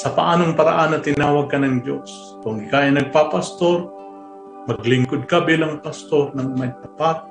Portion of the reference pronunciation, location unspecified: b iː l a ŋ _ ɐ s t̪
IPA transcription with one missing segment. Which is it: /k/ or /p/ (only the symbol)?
p